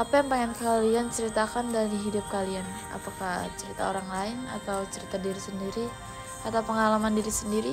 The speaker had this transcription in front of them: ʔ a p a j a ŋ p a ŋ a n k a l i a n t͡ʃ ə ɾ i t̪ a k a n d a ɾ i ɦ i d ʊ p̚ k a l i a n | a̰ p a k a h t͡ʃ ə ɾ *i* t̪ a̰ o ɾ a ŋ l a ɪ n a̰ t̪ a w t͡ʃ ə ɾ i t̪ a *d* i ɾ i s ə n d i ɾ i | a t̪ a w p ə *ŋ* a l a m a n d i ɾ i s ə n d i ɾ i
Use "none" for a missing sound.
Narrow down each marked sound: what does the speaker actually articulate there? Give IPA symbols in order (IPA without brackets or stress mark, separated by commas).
i, d, ŋ